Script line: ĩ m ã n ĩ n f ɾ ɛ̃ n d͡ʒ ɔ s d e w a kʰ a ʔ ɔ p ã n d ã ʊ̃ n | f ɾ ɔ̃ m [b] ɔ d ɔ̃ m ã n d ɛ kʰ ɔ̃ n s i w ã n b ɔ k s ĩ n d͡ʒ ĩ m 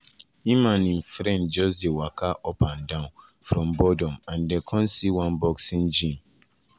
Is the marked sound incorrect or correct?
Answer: correct